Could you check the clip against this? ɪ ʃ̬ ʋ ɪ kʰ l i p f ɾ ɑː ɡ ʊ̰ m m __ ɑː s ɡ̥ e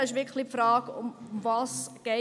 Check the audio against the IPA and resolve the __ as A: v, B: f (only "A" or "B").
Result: A